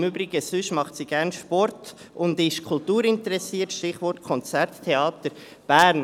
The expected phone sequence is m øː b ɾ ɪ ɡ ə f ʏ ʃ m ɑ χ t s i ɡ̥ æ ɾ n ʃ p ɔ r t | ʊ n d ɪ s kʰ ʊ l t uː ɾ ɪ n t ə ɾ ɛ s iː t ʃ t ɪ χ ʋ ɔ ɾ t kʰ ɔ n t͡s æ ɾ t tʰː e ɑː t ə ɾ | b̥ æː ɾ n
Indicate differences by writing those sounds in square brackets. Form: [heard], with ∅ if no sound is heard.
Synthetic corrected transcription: m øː b ɾ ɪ ɡ ə [s] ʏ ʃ m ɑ χ t s i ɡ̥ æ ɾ n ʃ p ɔ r t | ʊ n d ɪ [ʃ] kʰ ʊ l t uː ɾ ɪ n t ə ɾ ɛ s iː t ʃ t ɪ χ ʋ ɔ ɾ t kʰ ɔ n t͡s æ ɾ t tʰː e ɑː t ə ɾ | b̥ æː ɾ n